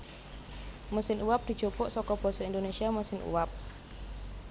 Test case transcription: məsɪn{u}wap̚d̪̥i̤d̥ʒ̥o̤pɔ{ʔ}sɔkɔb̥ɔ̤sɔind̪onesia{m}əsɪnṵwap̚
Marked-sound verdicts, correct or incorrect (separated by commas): correct, correct, correct